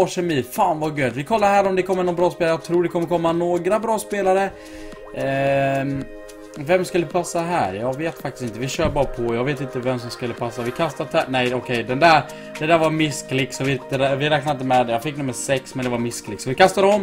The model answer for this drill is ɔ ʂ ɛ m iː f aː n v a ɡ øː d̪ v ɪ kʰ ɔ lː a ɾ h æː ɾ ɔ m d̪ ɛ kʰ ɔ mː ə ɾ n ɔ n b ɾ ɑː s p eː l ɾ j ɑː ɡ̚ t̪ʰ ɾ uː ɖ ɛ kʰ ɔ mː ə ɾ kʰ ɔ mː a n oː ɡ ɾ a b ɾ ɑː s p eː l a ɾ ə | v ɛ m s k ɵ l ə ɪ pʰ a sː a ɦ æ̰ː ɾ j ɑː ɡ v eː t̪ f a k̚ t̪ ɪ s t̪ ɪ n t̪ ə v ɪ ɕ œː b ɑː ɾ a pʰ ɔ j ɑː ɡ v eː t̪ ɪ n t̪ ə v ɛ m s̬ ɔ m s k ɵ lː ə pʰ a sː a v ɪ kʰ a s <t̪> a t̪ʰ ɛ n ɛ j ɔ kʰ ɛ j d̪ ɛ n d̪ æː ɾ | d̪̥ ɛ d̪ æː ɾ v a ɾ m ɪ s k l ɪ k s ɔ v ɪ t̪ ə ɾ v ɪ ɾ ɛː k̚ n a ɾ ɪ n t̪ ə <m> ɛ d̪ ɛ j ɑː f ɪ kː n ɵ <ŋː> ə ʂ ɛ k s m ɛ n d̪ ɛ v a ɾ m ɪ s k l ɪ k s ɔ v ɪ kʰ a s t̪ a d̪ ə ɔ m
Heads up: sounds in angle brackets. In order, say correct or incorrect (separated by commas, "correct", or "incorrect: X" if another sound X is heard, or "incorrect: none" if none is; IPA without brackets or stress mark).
correct, correct, incorrect: mː